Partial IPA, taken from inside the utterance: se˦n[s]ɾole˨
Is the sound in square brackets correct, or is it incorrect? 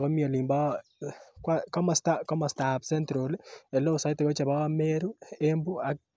incorrect: t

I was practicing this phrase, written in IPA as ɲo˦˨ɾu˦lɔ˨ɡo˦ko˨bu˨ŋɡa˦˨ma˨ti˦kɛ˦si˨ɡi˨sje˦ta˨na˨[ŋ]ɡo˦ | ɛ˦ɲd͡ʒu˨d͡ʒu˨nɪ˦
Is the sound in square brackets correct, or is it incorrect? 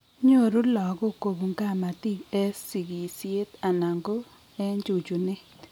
correct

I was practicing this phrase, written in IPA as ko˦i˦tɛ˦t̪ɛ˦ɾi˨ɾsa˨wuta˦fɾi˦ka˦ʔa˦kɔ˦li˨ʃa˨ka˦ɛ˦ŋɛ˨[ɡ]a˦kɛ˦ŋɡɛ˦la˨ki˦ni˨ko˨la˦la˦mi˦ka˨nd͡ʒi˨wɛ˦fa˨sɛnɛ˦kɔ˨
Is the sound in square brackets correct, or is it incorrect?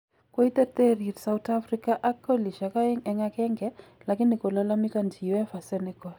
incorrect: ŋ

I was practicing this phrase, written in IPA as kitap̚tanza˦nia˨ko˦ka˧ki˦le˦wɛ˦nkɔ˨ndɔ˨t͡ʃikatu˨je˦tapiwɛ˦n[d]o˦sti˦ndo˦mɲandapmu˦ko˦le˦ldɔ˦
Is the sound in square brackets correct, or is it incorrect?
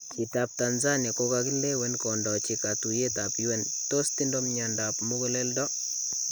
incorrect: t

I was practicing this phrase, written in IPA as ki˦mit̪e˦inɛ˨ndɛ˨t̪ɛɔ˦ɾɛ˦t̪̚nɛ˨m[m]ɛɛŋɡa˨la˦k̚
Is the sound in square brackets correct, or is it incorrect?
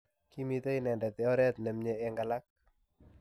incorrect: ɲ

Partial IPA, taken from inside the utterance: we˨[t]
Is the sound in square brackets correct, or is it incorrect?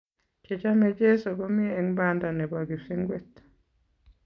correct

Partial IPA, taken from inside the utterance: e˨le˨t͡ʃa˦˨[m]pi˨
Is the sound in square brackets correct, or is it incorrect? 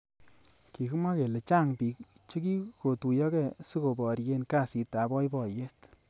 incorrect: ŋ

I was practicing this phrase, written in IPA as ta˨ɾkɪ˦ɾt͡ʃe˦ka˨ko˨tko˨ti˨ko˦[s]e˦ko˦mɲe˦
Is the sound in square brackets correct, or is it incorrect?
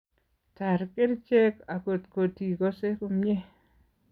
correct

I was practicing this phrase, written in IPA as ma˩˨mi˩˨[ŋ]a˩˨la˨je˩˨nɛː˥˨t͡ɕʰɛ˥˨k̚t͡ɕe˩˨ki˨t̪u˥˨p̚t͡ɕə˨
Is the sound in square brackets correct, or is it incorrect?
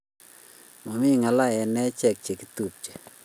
correct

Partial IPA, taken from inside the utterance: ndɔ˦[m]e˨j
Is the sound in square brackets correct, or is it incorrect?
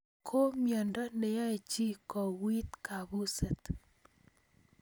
incorrect: n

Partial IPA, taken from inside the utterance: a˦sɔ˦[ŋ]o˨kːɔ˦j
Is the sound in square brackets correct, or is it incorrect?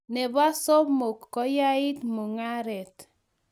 incorrect: m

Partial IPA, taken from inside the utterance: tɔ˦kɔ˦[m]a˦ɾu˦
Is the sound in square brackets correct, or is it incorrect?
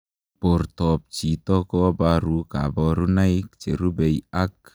incorrect: b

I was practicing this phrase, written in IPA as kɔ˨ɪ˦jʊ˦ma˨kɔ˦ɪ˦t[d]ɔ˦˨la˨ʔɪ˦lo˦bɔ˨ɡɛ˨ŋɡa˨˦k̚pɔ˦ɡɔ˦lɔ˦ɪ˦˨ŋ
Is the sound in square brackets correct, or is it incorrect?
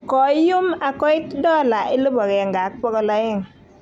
correct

